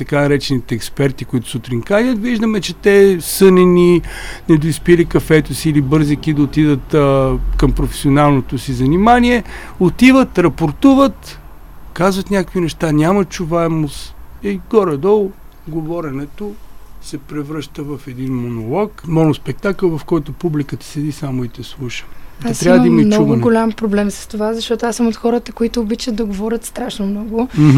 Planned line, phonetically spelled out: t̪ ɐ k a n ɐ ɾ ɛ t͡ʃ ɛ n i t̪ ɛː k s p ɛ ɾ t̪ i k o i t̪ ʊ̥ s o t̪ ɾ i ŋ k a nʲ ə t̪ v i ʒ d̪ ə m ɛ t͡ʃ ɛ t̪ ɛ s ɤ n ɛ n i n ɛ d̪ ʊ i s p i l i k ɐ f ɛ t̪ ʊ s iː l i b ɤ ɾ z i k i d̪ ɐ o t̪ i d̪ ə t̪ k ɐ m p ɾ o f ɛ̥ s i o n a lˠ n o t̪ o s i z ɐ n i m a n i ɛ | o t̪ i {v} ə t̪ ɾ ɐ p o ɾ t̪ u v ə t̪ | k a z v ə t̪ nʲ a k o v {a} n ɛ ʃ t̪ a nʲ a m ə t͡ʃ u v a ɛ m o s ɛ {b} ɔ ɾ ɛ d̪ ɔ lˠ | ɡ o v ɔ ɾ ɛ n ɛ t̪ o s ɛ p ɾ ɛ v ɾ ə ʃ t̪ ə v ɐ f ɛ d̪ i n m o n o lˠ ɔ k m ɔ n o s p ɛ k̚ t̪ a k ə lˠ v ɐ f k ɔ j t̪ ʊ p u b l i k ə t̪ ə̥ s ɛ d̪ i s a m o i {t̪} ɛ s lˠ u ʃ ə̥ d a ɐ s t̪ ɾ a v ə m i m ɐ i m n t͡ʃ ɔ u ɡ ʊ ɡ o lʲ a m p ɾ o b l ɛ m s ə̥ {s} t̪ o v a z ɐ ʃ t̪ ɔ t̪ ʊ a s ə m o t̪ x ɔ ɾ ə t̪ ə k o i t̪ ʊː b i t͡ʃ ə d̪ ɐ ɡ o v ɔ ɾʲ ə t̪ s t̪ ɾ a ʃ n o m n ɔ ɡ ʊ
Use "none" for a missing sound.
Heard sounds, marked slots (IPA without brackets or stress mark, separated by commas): v, i, ɡ, t̪, s